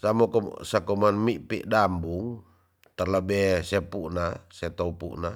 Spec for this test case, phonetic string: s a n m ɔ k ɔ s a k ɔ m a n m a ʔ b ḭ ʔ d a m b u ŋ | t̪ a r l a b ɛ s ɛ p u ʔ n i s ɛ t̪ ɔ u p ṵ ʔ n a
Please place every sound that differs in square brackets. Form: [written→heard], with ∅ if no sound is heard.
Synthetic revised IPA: s a [n→∅] m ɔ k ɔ s a k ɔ m a n m [a→i] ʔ [b→p] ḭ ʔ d a m b u ŋ | t̪ a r l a b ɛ s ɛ p u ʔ n [i→a] s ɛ t̪ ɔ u p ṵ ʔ n a